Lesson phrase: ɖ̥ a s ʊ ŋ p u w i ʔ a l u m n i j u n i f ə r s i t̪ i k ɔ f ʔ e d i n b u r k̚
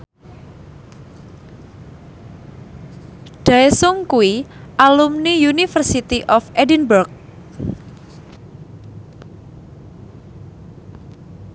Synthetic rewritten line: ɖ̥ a s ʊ ŋ k u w i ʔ a l u m n i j u n i f ə r s i t̪ i ʔ ɔ f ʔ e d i n b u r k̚